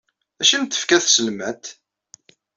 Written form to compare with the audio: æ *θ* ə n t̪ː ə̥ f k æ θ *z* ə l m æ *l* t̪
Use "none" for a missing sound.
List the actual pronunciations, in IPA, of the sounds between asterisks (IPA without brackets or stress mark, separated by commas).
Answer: ʃ, s, none